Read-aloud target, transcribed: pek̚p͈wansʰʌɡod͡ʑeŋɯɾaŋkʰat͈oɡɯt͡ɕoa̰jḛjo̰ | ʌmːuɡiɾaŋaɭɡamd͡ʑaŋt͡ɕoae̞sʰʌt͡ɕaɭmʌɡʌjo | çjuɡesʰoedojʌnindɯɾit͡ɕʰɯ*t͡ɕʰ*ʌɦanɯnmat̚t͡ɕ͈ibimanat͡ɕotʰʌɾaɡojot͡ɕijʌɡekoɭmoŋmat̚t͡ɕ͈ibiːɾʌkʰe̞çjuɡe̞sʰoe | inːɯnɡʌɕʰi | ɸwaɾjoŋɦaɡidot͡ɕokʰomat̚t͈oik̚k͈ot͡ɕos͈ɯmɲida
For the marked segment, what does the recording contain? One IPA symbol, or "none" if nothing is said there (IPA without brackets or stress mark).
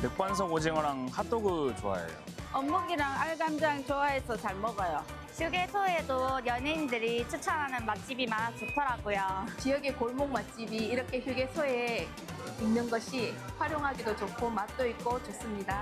t͡ɕʰ